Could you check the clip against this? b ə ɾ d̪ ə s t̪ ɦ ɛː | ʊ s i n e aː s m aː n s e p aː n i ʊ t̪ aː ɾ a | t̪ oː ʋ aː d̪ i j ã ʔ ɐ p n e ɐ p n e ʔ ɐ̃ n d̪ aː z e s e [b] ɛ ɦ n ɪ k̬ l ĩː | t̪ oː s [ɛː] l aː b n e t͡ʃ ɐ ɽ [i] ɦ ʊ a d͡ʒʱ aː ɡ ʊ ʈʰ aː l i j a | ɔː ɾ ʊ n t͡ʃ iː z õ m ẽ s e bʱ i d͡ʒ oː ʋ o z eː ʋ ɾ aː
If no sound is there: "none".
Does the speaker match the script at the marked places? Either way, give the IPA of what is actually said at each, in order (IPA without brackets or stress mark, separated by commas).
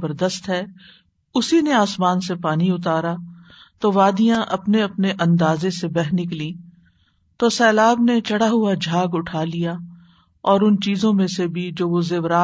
b, ɛː, a